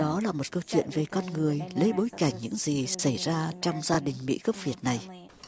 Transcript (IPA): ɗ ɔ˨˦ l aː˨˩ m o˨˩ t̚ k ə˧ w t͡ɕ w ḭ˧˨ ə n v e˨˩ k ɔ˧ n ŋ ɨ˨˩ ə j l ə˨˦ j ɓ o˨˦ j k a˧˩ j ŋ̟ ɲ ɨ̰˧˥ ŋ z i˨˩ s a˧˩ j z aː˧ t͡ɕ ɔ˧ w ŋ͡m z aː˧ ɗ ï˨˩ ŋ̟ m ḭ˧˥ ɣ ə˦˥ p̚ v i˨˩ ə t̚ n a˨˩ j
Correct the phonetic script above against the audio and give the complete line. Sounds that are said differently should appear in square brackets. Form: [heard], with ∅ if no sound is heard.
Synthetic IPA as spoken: ɗ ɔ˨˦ l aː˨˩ m o˨˩ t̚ k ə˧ w t͡ɕ w ḭ˧˨ ə n v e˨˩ k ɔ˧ n ŋ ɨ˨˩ ə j l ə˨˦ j ɓ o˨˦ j k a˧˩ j ŋ̟ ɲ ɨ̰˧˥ ŋ z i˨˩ s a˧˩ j z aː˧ t͡ɕ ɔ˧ w ŋ͡m z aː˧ ɗ ï˨˩ ŋ̟ m ḭ˧˥ ɣ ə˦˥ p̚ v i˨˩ ə t̚ n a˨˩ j